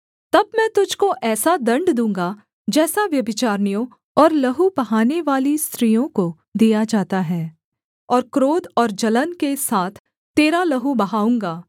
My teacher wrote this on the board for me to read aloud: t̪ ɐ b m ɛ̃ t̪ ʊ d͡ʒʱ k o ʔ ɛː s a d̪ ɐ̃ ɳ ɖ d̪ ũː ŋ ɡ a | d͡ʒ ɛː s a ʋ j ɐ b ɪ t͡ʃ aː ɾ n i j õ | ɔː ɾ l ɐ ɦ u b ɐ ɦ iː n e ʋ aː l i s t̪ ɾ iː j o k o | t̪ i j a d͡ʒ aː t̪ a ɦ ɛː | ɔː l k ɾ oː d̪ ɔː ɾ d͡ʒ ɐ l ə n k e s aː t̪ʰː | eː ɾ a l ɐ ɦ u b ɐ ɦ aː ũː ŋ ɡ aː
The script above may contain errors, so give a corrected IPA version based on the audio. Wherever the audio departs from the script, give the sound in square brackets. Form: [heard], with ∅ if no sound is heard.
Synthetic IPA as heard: t̪ ɐ b m ɛ̃ t̪ ʊ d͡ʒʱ k o ʔ ɛː s a d̪ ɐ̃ ɳ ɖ d̪ ũː ŋ ɡ a | d͡ʒ ɛː s a ʋ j ɐ b ɪ t͡ʃ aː ɾ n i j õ | ɔː ɾ l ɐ ɦ u b ɐ ɦ [aː] n e ʋ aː l i s t̪ ɾ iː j [õ] k o | [d̪] i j a d͡ʒ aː t̪ a ɦ ɛː | ɔː [ɾ] k ɾ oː d̪ ɔː ɾ d͡ʒ ɐ l ə n k e s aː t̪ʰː | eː ɾ a l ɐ ɦ u b ɐ ɦ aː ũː ŋ ɡ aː